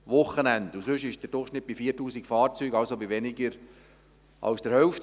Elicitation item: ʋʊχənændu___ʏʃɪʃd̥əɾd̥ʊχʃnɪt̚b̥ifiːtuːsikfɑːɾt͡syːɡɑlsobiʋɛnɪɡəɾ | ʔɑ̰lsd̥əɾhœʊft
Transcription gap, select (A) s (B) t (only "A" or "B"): A